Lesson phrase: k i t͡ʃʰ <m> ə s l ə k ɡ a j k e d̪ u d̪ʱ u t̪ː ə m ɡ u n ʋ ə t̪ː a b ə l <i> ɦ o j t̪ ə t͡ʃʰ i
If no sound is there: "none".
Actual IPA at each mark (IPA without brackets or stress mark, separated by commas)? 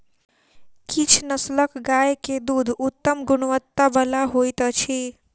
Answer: n, a